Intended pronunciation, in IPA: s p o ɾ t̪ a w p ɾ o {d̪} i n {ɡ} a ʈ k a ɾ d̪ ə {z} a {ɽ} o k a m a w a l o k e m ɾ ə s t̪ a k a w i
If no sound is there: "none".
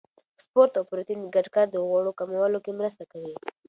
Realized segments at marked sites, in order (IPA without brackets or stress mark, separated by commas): t̪, ɡ, ɣ, ɽ